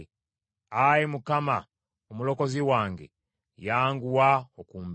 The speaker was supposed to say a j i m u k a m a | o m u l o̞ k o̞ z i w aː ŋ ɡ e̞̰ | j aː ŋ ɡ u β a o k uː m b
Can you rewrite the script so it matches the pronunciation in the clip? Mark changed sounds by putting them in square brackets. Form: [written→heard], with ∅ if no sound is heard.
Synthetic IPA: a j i m u k a m a | o m u l o̞ k o̞ z i w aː ŋ ɡ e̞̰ | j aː ŋ ɡ u [β→w] a o k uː m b